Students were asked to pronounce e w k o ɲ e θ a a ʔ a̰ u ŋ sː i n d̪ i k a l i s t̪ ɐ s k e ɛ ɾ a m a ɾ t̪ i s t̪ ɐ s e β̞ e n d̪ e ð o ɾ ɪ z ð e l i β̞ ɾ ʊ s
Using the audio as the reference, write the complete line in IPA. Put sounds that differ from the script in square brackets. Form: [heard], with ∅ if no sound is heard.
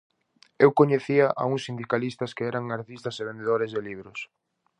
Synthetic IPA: e w k o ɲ e θ [i] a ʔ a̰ u ŋ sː i n d̪ i k a l i s t̪ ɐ s k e ɛ ɾ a [ŋ] a ɾ t̪ i s t̪ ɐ s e β̞ e n d̪ e ð o ɾ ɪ z ð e l i β̞ ɾ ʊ s